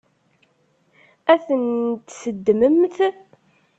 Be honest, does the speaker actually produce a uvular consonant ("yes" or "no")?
no